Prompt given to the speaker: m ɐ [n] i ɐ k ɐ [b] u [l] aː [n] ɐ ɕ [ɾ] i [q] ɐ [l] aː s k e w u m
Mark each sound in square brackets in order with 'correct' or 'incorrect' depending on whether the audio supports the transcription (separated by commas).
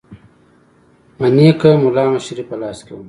correct, incorrect, correct, incorrect, correct, incorrect, correct